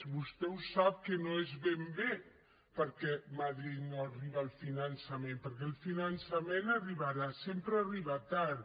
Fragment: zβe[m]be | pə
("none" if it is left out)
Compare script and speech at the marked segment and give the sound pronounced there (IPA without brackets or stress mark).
m